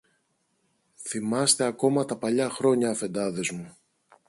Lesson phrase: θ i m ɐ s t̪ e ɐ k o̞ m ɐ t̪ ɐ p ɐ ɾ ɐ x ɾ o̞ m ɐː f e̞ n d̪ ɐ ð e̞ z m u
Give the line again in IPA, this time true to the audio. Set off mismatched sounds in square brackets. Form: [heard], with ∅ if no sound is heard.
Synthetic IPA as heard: θ i m ɐ s t̪ e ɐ k o̞ m ɐ t̪ ɐ p ɐ [ʎ] ɐ x ɾ o̞ [ɲ] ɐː f e̞ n d̪ ɐ ð e̞ z m u